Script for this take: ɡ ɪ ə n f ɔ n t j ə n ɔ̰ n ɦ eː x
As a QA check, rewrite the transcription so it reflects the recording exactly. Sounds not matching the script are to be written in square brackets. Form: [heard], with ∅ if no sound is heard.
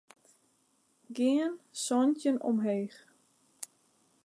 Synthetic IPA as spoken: ɡ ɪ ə n [s] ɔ n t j ə n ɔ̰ [m] ɦ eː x